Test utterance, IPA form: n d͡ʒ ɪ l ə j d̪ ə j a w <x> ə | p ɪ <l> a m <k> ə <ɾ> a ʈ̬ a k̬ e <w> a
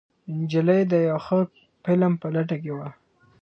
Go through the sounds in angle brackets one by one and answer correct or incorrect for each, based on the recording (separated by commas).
correct, correct, incorrect, incorrect, correct